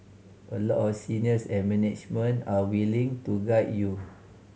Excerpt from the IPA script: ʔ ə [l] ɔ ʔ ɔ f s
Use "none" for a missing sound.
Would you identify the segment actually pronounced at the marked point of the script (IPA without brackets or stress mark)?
l